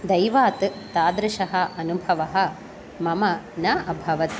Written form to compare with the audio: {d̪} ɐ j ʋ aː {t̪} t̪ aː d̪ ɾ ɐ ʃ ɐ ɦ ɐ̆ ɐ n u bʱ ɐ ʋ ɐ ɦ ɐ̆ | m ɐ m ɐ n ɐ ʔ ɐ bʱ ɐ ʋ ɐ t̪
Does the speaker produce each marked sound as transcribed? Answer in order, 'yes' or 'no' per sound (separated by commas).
yes, yes